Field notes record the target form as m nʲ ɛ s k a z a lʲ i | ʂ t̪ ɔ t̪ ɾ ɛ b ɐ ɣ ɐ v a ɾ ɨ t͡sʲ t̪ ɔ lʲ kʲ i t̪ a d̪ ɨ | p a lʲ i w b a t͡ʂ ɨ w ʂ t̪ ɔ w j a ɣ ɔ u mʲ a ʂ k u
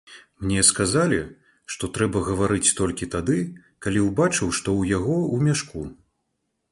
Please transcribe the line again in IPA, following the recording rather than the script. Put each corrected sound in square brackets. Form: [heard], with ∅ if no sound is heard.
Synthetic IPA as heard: m nʲ ɛ s k a z a lʲ i | ʂ t̪ ɔ t̪ ɾ ɛ b ɐ ɣ ɐ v a ɾ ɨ t͡sʲ t̪ ɔ lʲ kʲ i t̪ a d̪ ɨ | [k] a lʲ i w b a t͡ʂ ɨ w ʂ t̪ ɔ w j a ɣ ɔ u mʲ a ʂ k u